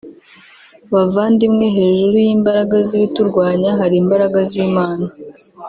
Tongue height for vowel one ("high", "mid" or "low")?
low